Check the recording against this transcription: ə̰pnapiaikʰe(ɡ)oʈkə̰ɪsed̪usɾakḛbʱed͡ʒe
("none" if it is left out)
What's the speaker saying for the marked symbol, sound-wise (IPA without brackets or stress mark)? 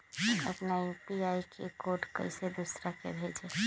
k